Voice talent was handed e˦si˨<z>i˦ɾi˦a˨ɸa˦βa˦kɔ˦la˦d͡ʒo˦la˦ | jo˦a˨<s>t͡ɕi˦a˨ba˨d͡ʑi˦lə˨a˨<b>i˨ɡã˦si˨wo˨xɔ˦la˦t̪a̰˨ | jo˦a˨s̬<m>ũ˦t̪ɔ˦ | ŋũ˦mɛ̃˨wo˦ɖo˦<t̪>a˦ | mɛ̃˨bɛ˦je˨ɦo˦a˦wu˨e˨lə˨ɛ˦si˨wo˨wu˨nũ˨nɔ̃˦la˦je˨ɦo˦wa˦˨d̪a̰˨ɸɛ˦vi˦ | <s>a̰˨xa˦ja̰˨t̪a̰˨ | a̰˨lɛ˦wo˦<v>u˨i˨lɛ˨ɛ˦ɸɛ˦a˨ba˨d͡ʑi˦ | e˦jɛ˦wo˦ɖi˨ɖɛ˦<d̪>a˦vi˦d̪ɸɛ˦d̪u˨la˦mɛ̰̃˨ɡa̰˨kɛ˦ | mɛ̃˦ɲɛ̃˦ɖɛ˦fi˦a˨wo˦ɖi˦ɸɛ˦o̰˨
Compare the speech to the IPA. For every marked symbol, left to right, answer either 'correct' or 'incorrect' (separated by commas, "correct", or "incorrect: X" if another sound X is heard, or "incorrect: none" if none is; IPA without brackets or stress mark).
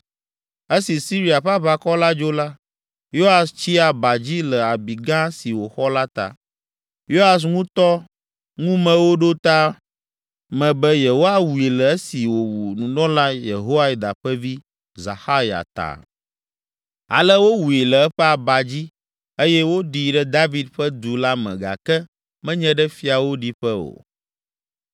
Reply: incorrect: s, correct, correct, incorrect: ŋ, correct, incorrect: z, incorrect: w, correct